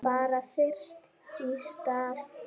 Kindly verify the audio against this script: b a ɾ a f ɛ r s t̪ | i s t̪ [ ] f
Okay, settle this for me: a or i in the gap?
a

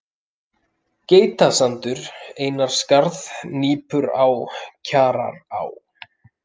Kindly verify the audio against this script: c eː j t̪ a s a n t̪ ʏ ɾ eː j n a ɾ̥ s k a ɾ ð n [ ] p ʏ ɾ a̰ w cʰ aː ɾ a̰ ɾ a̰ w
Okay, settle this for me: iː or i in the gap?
iː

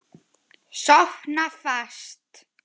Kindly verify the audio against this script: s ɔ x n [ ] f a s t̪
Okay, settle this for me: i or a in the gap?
a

